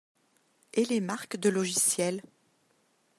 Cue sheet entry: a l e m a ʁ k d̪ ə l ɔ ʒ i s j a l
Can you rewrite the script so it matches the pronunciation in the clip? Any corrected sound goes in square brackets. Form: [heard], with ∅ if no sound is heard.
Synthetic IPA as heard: [e] l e m a ʁ k d̪ ə l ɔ ʒ i s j [ɛ] l